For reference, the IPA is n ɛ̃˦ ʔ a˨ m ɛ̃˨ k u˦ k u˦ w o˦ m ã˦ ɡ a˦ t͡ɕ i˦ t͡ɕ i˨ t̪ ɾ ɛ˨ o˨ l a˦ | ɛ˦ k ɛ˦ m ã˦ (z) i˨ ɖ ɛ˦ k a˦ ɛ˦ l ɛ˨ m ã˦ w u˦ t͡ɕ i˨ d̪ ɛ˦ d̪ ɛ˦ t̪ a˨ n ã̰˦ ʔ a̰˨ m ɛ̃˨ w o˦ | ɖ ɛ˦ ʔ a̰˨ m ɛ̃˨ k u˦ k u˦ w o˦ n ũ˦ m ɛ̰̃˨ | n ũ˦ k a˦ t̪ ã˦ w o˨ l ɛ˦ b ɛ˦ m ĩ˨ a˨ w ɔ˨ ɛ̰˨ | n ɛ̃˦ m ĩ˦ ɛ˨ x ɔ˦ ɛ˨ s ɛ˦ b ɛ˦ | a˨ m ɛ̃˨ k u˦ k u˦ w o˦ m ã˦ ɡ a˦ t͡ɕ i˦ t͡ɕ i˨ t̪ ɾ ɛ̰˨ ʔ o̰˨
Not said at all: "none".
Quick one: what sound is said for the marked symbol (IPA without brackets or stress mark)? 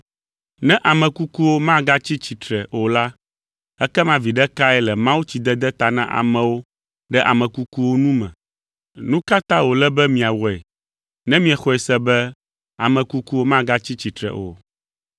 v